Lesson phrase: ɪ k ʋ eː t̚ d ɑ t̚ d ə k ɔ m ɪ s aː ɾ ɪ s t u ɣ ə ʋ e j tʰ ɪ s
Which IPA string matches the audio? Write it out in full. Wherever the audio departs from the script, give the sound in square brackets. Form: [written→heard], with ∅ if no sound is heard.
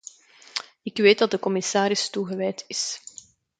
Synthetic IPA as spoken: ɪ k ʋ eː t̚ d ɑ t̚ d ə k ɔ m ɪ s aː ɾ ɪ s t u ɣ ə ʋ [e→ɛ] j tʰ ɪ s